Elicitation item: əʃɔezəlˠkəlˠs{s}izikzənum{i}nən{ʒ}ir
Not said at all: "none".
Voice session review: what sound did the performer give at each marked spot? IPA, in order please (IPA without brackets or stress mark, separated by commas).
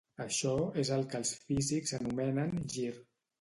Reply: f, ɛ, ʒ